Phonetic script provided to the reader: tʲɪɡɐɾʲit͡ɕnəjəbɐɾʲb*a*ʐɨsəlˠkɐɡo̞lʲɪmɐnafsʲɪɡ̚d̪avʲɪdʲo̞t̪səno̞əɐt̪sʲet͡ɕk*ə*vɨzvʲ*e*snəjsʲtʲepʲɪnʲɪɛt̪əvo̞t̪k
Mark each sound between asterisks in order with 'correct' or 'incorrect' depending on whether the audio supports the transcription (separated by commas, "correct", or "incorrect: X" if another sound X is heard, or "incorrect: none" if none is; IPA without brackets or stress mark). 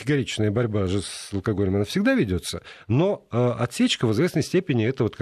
correct, correct, correct